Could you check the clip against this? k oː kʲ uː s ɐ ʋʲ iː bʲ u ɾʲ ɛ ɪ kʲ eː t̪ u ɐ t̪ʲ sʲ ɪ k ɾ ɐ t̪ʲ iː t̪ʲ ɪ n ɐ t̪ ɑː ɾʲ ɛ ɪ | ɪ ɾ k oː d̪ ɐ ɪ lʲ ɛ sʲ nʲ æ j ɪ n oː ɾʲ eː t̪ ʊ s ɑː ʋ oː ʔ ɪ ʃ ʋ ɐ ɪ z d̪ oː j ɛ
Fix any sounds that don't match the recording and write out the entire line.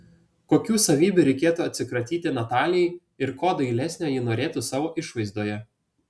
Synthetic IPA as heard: k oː kʲ uː s ɐ ʋʲ iː bʲ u ɾʲ ɛ ɪ kʲ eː t̪ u ɐ t̪ʲ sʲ ɪ k ɾ ɐ t̪ʲ iː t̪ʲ ɪ n ɐ t̪ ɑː lʲ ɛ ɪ | ɪ ɾ k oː d̪ ɐ ɪ lʲ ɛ sʲ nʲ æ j ɪ n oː ɾʲ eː t̪ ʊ s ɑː ʋ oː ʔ ɪ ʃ ʋ ɐ ɪ z d̪ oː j ɛ